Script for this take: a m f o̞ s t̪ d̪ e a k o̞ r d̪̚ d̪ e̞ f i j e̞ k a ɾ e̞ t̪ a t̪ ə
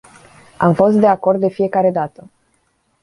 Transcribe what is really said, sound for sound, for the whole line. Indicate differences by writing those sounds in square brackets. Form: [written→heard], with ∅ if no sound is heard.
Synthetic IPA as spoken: a m f o̞ s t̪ d̪ e a k o̞ r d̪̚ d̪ e̞ f i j e̞ k a ɾ e̞ [t̪→d̪] a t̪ ə